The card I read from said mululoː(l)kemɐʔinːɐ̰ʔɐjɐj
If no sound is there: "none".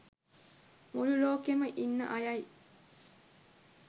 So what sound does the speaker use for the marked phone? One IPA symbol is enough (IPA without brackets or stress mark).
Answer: none